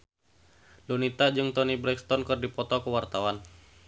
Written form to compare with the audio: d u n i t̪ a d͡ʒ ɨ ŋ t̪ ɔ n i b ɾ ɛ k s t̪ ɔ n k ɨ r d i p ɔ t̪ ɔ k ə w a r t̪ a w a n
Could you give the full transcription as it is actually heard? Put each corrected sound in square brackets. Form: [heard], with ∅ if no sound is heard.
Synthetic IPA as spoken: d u n i t̪ a d͡ʒ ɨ ŋ t̪ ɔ n i b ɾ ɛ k s t̪ ɔ n k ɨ r d i p ɔ t̪ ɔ k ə w a r t̪ a w a n